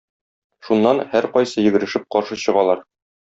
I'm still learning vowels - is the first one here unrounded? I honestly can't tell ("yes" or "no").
no